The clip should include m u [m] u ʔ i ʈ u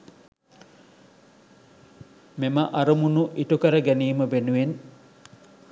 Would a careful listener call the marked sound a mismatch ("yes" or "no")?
yes